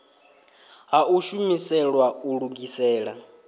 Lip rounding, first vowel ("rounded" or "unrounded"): unrounded